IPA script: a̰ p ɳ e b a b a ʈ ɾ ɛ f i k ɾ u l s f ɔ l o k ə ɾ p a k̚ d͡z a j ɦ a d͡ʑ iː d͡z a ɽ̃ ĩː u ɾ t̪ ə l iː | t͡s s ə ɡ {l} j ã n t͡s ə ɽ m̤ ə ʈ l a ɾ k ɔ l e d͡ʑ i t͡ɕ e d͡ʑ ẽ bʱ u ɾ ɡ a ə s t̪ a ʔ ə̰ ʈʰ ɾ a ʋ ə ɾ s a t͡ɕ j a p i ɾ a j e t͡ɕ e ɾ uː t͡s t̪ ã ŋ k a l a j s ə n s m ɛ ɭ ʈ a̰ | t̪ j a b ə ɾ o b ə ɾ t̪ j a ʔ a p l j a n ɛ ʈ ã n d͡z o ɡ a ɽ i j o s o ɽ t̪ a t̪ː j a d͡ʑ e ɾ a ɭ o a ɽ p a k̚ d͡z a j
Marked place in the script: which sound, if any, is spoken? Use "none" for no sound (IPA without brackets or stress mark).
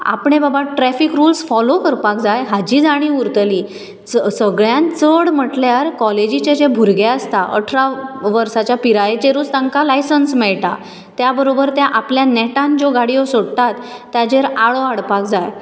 ɭ